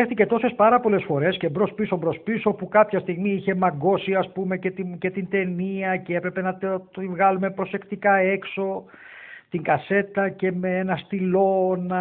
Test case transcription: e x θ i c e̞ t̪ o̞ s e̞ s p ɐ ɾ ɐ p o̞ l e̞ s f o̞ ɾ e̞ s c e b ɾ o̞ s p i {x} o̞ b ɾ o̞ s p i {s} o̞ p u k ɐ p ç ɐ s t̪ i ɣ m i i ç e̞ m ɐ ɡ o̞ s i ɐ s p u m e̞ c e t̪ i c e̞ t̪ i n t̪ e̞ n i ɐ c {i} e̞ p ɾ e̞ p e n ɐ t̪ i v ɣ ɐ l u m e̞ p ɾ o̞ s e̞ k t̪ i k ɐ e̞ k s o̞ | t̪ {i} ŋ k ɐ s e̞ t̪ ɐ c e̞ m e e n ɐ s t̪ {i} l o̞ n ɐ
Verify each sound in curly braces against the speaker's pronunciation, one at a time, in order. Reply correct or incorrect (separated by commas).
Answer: incorrect, correct, incorrect, correct, correct